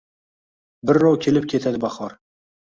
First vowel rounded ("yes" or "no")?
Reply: no